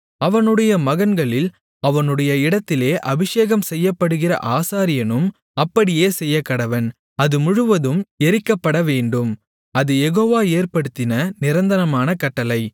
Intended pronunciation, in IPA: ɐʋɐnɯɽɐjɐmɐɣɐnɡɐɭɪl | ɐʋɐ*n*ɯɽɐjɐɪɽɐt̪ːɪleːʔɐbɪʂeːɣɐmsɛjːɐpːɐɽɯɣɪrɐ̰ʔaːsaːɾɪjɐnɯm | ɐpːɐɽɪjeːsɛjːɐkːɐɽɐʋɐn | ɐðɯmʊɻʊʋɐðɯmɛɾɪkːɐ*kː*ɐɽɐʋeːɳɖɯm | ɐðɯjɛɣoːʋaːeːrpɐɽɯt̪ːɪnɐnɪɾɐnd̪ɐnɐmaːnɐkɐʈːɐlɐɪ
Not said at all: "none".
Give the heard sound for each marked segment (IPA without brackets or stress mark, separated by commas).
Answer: n, pː